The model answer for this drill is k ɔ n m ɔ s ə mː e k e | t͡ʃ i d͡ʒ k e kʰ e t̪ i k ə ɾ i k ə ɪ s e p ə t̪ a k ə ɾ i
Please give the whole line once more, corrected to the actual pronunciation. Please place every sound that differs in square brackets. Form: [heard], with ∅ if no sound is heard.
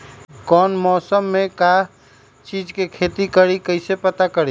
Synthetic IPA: k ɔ n m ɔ s ə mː e k [a] | t͡ʃ i d͡ʒ k e kʰ e t̪ i k ə ɾ i k ə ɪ s e p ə t̪ a k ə ɾ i

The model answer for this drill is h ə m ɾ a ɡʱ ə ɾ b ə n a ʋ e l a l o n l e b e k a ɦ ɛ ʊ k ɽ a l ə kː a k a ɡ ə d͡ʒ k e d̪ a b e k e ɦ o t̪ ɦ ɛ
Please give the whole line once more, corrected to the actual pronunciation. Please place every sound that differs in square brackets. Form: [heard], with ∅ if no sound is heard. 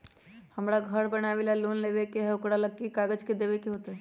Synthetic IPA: h ə m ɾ a ɡʱ ə ɾ b ə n a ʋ e l a l o n l e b e k [e] ɦ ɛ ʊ k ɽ a l ə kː [i] k a ɡ ə d͡ʒ k e d̪ [e] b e k e ɦ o t̪ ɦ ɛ

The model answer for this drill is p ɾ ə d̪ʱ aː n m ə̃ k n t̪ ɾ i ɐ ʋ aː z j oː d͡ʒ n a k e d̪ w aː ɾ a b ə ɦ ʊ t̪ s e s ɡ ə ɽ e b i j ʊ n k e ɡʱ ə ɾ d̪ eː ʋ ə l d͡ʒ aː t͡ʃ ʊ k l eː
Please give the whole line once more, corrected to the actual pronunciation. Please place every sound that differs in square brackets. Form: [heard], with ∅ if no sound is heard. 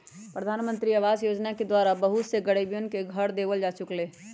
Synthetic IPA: p ɾ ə d̪ʱ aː n m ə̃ [∅] n t̪ ɾ i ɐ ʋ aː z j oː d͡ʒ n a k e d̪ w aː ɾ a b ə ɦ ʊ t̪ s e [∅] ɡ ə ɽ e b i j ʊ n k e ɡʱ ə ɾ d̪ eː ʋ ə l d͡ʒ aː t͡ʃ ʊ k l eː

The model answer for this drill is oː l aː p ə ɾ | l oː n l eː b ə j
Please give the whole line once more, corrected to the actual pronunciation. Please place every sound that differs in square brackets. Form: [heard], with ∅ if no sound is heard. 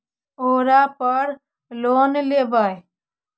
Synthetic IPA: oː [ɾ] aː p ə ɾ | l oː n l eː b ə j

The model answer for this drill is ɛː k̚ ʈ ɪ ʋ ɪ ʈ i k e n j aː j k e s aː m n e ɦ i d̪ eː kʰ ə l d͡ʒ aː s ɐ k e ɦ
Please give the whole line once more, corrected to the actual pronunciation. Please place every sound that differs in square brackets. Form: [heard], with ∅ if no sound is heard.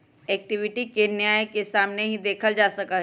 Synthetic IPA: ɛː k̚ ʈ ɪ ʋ ɪ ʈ i k e n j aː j k e s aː m n e ɦ i d̪ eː kʰ ə l d͡ʒ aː s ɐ k [a] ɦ

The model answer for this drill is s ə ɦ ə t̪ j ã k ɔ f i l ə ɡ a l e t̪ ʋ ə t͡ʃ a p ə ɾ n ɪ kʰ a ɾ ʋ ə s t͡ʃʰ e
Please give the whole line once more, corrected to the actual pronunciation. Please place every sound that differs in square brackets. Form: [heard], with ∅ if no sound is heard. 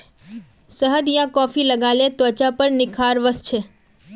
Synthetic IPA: s ə ɦ ə [d̪] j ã k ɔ f i l ə ɡ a l e t̪ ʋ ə t͡ʃ a p ə ɾ n ɪ kʰ a ɾ ʋ ə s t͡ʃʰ e

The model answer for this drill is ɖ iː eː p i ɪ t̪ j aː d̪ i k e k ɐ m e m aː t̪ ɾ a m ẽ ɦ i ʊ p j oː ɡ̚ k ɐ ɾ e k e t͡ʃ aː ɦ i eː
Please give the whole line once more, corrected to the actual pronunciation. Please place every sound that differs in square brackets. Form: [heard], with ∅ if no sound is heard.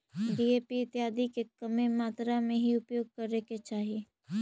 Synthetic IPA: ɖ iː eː p i ɪ t̪ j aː d̪ i k e k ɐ m e m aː t̪ ɾ a m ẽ ɦ i ʊ p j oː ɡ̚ k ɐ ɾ e k e t͡ʃ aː ɦ i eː

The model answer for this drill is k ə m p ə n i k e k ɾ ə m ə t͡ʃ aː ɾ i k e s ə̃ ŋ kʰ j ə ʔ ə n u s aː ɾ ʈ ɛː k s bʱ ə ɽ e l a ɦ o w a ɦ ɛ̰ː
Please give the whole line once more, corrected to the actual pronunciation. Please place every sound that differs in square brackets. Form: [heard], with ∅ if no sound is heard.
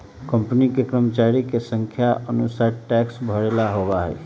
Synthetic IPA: k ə m p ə n i k e k ɾ ə m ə t͡ʃ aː ɾ i k e s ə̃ ŋ kʰ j [a] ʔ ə n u s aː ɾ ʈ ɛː k s bʱ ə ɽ e l a ɦ o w a ɦ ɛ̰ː

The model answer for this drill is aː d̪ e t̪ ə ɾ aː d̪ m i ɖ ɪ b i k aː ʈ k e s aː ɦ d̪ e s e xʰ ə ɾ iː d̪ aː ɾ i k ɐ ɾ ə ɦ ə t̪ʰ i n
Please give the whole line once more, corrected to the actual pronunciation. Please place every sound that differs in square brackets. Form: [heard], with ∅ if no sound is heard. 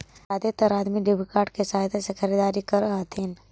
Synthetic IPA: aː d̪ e t̪ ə ɾ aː d̪ m i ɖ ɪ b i k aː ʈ k e s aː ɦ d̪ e s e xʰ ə ɾ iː d̪ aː ɾ i k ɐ ɾ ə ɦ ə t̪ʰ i n

